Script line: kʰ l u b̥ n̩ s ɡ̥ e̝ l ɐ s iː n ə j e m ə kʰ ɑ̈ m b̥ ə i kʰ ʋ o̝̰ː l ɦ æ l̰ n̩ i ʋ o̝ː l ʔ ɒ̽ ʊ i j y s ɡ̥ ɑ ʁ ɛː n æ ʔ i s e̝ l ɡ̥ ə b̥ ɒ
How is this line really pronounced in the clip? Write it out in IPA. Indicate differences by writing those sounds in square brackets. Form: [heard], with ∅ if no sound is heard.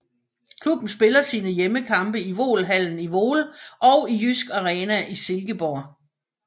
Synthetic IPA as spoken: kʰ l u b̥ n̩ s [b̥] e̝ l ɐ s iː n ə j e m ə kʰ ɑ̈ m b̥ ə i [∅] ʋ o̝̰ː l ɦ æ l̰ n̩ i ʋ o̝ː l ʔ ɒ̽ ʊ i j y s ɡ̥ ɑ ʁ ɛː n æ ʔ i s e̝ l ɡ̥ ə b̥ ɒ